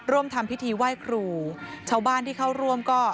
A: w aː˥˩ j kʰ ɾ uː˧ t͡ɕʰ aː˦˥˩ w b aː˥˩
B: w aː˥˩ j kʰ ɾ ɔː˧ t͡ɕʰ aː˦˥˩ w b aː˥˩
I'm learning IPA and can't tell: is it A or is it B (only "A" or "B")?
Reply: A